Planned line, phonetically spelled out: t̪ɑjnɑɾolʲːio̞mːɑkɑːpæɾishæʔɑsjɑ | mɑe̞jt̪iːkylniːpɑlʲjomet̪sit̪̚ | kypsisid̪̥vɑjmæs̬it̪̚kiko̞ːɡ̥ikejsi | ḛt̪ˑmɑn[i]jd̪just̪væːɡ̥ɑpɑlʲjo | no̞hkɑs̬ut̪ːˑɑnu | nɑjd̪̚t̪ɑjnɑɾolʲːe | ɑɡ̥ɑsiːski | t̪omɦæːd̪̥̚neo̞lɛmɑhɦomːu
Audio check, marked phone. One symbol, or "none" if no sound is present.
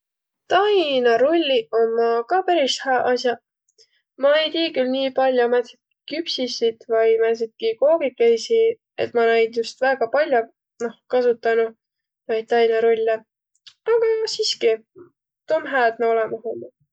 æ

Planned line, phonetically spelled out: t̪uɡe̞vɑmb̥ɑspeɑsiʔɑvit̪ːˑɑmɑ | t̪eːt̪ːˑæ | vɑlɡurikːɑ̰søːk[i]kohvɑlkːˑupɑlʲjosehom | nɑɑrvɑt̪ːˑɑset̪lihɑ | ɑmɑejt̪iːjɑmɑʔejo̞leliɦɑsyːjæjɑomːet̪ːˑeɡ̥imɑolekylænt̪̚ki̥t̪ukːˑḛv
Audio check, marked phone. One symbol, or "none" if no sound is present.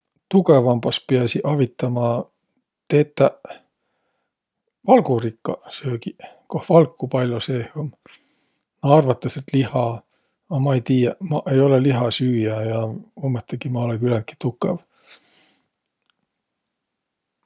i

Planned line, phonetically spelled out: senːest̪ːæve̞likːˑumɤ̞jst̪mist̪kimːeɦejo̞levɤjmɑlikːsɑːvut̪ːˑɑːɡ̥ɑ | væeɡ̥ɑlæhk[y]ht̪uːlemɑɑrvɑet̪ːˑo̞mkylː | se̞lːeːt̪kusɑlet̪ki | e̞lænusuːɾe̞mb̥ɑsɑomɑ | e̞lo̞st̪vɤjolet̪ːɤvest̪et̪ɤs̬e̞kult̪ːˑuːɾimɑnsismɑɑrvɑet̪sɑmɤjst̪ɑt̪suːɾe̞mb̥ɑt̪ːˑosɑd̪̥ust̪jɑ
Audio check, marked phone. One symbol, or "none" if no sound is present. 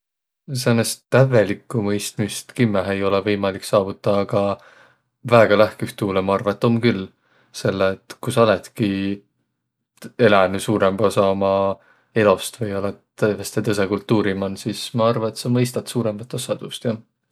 y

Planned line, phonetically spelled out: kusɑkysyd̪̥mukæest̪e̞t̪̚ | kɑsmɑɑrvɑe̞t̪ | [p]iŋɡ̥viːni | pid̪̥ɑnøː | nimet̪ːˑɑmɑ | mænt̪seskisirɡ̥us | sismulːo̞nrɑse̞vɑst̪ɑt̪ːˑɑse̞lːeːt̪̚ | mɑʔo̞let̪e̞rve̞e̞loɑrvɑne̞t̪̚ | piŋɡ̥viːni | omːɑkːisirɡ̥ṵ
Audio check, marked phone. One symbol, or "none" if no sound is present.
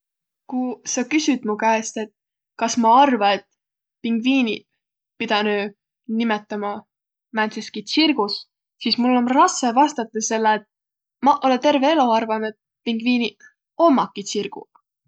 p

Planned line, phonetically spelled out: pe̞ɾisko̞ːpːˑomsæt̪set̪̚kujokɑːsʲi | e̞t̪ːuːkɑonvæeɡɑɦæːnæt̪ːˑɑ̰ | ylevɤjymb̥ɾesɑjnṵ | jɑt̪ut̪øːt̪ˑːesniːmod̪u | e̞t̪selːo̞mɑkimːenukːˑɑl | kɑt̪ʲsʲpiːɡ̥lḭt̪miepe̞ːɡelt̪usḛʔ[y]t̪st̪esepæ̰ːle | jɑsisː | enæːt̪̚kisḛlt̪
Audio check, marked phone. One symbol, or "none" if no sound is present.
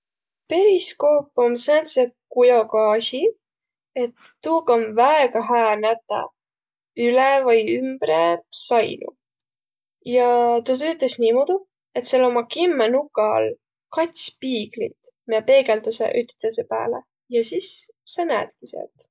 y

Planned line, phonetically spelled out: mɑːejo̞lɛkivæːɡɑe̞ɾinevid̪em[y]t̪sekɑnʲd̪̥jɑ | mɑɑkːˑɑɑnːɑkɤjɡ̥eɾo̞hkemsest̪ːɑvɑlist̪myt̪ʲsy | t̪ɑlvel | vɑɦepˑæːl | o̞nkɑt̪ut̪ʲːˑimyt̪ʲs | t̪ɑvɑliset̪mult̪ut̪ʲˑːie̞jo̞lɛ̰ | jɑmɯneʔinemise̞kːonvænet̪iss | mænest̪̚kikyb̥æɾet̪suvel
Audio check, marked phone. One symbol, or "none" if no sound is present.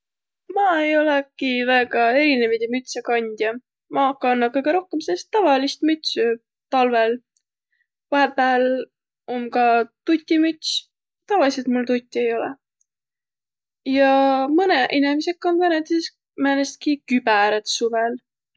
y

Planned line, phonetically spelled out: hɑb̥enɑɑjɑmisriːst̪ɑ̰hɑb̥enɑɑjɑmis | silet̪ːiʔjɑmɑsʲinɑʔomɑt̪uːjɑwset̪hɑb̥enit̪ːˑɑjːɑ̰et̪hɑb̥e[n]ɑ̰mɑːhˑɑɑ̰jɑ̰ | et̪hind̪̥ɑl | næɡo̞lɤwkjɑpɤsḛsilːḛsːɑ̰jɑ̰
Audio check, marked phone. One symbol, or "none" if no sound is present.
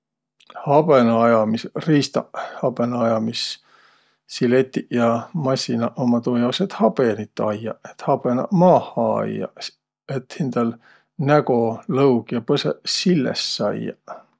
n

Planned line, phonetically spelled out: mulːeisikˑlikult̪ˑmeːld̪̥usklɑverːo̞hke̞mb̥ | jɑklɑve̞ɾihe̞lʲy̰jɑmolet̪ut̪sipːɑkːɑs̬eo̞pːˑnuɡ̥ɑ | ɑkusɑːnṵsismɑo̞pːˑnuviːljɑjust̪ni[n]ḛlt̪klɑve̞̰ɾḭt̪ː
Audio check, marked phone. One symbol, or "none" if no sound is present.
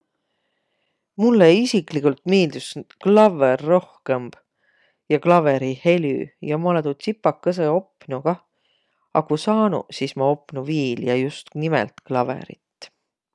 m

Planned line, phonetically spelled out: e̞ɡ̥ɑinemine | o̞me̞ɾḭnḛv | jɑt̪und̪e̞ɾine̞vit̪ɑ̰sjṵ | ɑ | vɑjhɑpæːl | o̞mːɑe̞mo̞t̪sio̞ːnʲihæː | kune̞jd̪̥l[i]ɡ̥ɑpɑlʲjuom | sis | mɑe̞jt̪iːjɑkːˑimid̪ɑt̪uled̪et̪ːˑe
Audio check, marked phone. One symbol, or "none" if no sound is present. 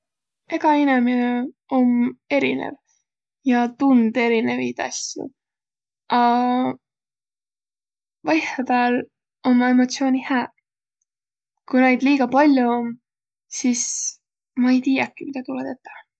iː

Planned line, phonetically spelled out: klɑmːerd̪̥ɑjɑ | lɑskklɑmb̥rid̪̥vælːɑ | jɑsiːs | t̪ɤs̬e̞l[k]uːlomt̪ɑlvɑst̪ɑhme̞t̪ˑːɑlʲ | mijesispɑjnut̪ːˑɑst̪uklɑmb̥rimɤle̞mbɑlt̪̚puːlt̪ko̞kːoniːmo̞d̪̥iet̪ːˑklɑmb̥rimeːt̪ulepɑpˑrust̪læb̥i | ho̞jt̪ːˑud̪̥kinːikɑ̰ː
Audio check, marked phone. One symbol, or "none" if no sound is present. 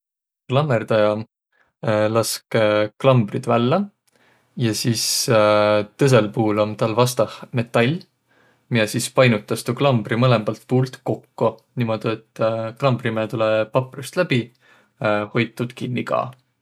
p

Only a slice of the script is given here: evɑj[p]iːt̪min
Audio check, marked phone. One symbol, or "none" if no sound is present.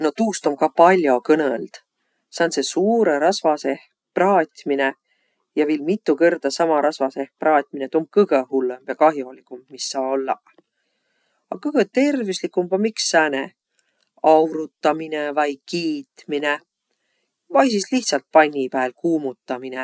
k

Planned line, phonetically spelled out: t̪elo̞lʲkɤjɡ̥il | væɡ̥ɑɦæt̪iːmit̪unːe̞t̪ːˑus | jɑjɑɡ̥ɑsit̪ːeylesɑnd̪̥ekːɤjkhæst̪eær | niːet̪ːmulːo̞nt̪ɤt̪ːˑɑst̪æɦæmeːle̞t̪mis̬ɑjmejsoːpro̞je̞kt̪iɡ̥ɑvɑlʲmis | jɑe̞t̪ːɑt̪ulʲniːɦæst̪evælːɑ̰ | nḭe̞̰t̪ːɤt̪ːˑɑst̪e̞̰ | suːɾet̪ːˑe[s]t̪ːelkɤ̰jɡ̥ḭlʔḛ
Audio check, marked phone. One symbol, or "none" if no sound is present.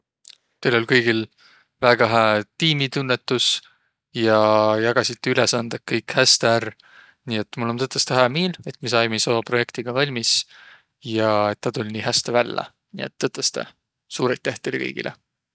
h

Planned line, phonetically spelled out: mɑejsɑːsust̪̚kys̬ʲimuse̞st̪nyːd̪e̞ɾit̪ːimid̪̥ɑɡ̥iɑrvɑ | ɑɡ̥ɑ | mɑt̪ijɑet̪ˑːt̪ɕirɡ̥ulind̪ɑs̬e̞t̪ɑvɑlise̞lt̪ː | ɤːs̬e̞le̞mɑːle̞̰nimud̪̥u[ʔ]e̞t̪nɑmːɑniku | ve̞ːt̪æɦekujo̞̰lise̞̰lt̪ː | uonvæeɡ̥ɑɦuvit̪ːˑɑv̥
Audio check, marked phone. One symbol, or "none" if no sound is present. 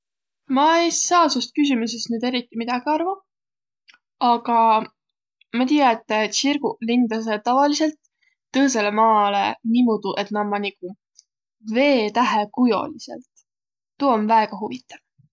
ʔ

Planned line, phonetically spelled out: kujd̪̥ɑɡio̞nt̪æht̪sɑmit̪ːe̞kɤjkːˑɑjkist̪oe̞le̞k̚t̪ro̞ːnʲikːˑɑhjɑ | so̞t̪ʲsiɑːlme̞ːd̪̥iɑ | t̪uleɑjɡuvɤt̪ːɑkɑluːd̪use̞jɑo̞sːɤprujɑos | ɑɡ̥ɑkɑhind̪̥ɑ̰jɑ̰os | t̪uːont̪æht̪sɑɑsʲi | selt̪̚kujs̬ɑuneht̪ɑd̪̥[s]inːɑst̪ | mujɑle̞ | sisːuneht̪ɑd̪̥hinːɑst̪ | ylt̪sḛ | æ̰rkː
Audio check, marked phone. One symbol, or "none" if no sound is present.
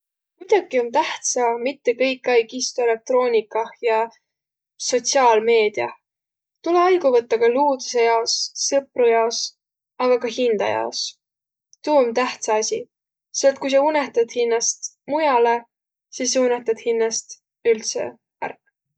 h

